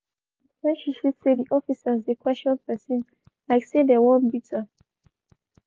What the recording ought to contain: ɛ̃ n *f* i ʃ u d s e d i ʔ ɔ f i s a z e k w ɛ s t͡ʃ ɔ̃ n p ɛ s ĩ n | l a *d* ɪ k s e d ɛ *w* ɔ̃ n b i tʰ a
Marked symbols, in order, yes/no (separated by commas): no, no, yes